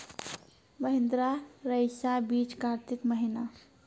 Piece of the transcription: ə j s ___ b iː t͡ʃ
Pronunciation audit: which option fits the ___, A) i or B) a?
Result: B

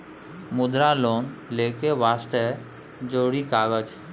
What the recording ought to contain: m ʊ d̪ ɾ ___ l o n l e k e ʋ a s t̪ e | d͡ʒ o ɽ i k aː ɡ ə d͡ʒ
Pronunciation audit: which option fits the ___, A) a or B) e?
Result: A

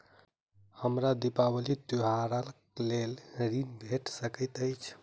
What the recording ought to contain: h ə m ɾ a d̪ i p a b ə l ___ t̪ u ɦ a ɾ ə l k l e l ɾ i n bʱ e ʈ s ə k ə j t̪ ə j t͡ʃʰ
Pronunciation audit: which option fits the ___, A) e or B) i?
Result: B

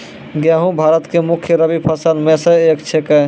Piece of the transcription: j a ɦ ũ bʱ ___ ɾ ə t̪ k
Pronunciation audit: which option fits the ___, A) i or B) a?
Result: B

